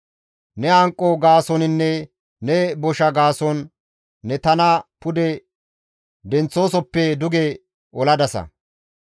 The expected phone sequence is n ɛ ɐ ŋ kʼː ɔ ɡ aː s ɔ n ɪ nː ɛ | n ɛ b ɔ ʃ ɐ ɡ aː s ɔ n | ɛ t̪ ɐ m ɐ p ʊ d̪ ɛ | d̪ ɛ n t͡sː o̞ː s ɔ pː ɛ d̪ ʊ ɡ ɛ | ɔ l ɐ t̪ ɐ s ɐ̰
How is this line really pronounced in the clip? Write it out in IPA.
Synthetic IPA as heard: n ɛ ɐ ŋ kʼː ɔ ɡ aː s ɔ n ɪ nː ɛ | n ɛ b ɔ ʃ ɐ ɡ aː s ɔ nː | ɛ t̪ ɐ n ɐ p ʊ d̪ ɛ | d̪ ɛ n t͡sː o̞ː s ɔ pː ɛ d̪ ʊ ɡ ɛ | ɔ l ɐ d̪ ɐ s ɐ̰